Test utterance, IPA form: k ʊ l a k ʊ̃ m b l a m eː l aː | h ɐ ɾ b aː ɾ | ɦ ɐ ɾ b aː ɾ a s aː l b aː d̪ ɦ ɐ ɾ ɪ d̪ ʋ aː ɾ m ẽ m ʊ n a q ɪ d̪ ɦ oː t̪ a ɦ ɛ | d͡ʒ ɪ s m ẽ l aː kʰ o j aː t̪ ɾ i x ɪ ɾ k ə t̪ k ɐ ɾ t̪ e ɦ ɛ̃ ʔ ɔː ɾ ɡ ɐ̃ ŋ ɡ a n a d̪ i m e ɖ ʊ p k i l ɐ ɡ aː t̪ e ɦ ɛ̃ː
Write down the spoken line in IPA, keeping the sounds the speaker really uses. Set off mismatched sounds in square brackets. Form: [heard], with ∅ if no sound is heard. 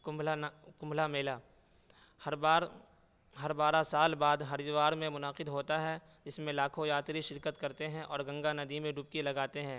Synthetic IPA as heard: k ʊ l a k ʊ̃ m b l a m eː l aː | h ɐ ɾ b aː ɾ | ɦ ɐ ɾ b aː ɾ a s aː l b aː d̪ ɦ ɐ ɾ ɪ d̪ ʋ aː ɾ m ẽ m ʊ n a q ɪ d̪ ɦ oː t̪ a ɦ ɛ | d͡ʒ ɪ s m ẽ l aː kʰ o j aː t̪ ɾ i [ʃ] ɪ ɾ k ə t̪ k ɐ ɾ t̪ e ɦ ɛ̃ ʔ ɔː ɾ ɡ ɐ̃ ŋ ɡ a n [ɐ] d̪ i m [ẽ] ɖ ʊ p k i l ɐ ɡ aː t̪ e ɦ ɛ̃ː